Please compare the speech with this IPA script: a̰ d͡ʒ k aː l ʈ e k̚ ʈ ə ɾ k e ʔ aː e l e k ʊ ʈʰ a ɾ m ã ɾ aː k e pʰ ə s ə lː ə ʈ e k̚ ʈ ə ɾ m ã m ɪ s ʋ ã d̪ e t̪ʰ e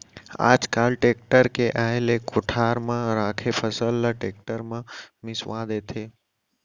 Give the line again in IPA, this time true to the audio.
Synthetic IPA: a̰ d͡ʒ k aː l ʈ e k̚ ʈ ə ɾ k e ʔ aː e l e k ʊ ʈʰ a ɾ m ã ɾ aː kʰ e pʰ ə s ə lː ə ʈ e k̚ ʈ ə ɾ m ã m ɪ s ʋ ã d̪ e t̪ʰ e